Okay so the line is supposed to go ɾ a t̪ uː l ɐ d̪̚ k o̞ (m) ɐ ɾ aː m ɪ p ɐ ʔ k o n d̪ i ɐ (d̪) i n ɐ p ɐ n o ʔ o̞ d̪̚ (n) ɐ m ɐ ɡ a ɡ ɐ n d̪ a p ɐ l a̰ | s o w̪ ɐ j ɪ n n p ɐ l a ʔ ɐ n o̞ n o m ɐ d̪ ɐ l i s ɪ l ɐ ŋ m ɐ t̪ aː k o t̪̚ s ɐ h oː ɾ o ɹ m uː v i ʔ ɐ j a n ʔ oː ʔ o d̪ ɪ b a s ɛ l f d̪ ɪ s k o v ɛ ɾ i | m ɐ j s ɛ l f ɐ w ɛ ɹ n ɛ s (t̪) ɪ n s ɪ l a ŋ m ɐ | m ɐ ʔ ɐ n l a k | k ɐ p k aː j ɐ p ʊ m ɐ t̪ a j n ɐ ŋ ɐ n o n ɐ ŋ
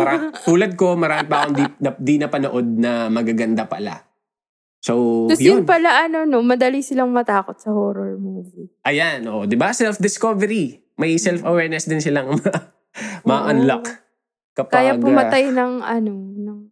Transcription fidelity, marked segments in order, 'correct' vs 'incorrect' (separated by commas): correct, correct, correct, incorrect